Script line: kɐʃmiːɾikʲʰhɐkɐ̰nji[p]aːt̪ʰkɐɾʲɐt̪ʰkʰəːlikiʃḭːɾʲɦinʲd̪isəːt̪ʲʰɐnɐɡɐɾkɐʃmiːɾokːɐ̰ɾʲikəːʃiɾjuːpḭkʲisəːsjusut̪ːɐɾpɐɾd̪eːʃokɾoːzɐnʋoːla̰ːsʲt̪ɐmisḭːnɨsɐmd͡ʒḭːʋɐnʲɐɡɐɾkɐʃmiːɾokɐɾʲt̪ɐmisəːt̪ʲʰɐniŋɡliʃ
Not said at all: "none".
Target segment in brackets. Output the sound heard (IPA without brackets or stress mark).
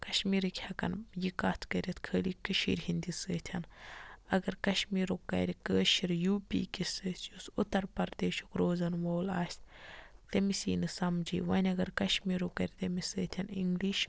k